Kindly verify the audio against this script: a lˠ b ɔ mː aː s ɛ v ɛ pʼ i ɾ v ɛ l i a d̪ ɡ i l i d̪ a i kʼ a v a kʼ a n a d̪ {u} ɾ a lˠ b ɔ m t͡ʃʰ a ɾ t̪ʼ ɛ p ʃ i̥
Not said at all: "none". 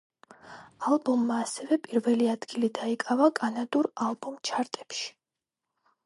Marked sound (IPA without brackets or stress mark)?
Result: u